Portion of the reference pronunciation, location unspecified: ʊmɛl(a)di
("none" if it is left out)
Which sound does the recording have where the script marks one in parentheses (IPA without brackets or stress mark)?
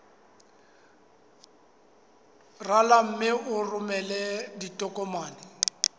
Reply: ɛ